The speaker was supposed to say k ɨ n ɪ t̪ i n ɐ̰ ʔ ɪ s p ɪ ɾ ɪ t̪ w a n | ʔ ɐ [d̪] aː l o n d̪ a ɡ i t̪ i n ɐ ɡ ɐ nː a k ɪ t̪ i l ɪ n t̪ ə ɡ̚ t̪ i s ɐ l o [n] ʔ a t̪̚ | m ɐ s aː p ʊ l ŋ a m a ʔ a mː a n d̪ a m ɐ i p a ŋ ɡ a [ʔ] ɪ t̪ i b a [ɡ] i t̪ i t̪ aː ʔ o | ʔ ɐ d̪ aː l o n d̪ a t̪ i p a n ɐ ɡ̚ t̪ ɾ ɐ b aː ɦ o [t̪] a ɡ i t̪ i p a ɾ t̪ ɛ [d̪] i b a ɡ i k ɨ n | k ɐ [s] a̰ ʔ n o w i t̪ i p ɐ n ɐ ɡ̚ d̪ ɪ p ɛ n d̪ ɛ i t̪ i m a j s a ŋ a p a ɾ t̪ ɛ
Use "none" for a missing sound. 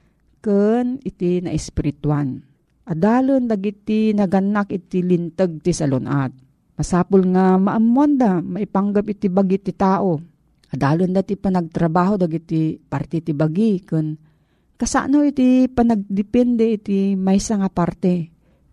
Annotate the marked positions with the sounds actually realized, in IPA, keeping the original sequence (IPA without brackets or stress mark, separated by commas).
d̪, n, p, ɡ, d̪, t̪, s